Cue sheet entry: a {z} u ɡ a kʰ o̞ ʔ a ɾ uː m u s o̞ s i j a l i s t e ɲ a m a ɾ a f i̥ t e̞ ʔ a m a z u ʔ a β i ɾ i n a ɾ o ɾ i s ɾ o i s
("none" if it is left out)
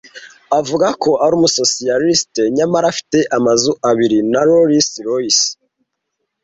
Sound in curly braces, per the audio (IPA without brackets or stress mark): v